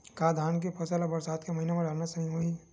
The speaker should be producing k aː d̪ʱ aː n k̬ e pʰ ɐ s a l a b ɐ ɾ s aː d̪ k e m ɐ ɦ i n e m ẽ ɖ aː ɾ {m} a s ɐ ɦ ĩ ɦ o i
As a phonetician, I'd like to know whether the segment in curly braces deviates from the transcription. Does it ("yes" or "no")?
yes